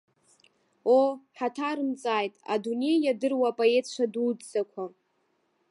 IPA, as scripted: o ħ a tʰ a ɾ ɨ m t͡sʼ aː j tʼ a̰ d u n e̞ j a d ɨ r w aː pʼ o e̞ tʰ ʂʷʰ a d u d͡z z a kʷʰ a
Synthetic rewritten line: o ħ a tʰ a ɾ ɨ m t͡sʼ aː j tʼ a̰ d u n e̞ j a d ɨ r w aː pʼ o e̞ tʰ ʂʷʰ a d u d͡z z a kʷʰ a